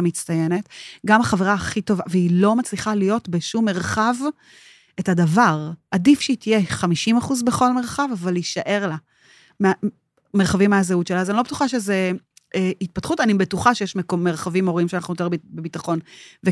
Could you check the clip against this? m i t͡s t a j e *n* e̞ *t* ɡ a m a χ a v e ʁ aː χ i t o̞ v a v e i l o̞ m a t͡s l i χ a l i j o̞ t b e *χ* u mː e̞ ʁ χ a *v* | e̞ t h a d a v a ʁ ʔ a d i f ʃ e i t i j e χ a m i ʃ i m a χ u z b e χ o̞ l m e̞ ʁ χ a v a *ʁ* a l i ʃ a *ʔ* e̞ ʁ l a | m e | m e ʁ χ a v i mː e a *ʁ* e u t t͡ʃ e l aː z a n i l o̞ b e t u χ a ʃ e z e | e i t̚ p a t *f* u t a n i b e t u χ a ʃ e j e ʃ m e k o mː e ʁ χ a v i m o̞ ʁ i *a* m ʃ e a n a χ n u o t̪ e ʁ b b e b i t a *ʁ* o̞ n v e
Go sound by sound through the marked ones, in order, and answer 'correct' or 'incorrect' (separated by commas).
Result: correct, correct, incorrect, correct, incorrect, correct, incorrect, incorrect, incorrect, incorrect